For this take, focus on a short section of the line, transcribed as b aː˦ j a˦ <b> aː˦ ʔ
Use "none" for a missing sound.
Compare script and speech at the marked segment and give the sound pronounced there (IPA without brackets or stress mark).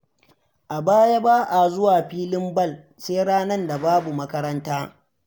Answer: b